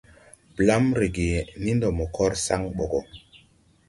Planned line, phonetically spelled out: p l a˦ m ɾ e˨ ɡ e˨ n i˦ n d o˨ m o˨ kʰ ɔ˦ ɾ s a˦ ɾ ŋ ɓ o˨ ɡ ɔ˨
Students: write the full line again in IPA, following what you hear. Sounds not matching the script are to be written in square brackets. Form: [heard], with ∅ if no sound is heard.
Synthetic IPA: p l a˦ m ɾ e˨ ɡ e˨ n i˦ n d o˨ m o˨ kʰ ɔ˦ ɾ s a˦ [∅] ŋ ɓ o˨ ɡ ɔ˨